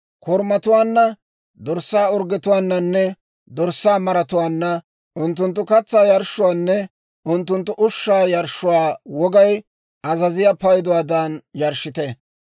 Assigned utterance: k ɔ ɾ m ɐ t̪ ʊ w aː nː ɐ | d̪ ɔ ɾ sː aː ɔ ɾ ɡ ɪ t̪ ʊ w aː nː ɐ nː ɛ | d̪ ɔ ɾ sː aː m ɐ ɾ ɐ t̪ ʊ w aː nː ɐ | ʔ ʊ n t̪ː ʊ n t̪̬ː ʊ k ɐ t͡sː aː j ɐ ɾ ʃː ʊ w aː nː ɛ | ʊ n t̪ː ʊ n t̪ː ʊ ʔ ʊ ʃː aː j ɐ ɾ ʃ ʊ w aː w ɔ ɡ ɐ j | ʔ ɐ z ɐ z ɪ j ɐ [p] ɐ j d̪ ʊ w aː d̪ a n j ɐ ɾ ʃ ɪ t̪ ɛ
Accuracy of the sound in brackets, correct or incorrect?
correct